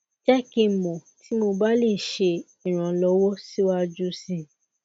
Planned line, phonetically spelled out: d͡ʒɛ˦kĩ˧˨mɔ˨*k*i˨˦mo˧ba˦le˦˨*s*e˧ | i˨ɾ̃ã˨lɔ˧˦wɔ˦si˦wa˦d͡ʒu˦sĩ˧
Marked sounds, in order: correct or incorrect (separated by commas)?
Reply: incorrect, incorrect